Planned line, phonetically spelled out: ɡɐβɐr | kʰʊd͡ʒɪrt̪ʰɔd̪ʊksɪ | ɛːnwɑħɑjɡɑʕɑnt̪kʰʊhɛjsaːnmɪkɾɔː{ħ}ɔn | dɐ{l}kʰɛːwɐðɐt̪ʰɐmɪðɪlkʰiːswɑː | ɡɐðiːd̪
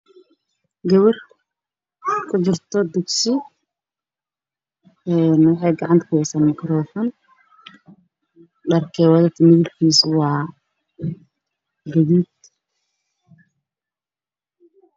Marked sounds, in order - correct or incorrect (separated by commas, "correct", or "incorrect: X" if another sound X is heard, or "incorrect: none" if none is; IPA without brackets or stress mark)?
incorrect: f, incorrect: r